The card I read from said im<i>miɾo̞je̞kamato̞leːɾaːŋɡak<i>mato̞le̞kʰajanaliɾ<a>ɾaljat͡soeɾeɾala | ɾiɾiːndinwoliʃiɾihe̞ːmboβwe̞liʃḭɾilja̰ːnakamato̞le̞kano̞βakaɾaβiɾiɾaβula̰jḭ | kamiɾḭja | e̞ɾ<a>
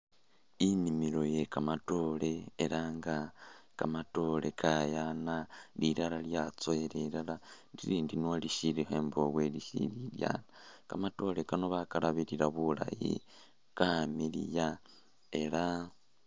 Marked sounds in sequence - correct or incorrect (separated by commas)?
correct, incorrect, correct, correct